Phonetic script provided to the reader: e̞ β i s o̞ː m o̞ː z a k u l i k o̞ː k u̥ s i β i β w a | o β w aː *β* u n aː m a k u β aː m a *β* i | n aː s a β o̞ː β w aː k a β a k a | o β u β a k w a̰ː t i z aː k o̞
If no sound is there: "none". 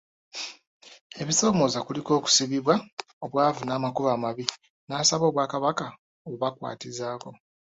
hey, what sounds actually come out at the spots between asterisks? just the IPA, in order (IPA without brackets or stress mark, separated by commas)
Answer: v, β